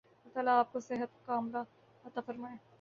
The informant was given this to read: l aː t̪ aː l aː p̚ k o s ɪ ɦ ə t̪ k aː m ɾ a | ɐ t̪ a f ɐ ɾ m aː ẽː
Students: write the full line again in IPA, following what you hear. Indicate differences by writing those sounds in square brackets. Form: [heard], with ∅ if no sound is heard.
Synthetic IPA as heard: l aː t̪ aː l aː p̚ k o s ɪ ɦ ə t̪ k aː m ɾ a | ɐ t̪ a f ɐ ɾ m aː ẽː